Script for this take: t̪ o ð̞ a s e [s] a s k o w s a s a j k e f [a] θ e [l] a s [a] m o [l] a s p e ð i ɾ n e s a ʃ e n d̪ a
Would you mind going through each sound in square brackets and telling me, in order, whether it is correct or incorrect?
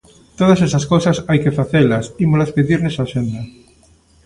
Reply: correct, correct, correct, incorrect, correct

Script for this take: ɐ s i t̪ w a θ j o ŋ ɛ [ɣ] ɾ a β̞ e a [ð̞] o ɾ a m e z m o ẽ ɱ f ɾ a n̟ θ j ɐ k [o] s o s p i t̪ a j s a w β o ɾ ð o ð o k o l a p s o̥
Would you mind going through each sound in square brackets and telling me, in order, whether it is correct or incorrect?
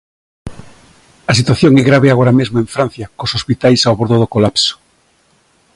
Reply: correct, incorrect, correct

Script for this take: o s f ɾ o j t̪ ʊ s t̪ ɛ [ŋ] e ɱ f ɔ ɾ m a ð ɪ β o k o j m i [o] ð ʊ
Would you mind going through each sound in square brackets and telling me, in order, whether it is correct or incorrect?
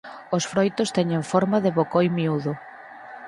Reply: incorrect, incorrect

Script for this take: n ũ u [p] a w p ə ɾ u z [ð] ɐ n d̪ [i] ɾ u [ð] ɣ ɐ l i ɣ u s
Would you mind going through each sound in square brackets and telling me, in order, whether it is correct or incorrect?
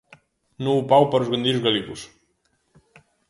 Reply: correct, incorrect, correct, incorrect

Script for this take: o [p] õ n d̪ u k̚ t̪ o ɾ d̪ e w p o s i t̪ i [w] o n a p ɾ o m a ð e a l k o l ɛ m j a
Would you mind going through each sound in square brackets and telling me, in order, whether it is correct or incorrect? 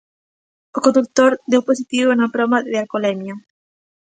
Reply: incorrect, incorrect

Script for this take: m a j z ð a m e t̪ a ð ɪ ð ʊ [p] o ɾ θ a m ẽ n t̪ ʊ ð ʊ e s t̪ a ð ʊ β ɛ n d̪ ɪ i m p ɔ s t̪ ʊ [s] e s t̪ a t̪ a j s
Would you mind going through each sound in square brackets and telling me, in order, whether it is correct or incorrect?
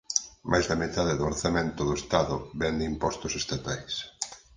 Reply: incorrect, correct

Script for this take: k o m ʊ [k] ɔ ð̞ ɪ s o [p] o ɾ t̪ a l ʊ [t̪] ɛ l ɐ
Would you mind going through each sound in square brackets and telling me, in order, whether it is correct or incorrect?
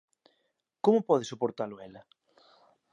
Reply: incorrect, correct, incorrect

